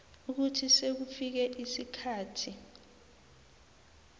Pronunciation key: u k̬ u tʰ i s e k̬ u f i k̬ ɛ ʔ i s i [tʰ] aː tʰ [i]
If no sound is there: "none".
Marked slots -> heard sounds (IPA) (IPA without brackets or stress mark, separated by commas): kʰ, i